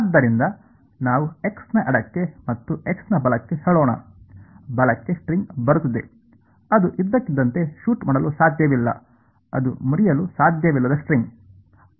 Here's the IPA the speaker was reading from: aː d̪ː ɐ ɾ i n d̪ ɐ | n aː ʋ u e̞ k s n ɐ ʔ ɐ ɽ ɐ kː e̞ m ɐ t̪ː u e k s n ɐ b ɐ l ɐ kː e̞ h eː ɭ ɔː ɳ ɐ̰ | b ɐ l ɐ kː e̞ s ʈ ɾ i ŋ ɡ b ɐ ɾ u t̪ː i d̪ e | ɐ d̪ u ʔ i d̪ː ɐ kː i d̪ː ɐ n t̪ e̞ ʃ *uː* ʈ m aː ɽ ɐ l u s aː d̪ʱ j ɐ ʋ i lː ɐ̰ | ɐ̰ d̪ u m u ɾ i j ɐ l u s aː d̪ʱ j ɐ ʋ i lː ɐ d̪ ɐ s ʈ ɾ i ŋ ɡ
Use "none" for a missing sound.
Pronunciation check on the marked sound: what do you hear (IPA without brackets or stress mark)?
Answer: uː